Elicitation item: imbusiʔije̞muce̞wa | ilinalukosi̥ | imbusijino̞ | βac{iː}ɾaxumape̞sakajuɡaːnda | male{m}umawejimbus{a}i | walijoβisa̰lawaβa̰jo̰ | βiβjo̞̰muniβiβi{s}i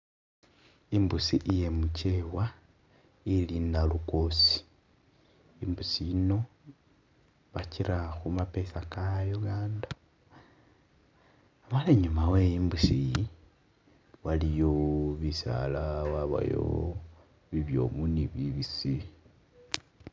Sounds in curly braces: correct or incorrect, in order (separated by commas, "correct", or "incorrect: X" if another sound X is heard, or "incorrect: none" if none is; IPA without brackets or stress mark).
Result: incorrect: i, incorrect: ɲ, incorrect: i, correct